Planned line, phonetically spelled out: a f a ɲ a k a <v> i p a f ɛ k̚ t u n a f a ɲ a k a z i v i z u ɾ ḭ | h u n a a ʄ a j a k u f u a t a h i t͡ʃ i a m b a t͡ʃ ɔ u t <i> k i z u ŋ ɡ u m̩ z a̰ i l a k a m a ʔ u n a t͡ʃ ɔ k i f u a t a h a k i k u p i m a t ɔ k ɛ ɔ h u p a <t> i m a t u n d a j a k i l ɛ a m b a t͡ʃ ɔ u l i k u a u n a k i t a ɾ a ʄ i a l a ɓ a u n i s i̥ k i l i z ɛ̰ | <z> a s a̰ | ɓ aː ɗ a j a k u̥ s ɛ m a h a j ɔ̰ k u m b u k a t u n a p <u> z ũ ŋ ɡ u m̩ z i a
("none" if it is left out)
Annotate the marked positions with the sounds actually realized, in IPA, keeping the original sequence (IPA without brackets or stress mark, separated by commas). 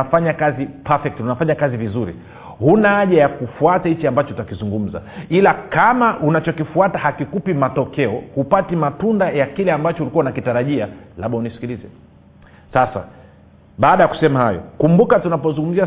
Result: z, a, t, s, ɔ